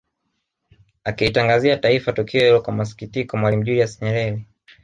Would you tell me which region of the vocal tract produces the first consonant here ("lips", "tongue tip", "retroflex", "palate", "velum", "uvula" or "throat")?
velum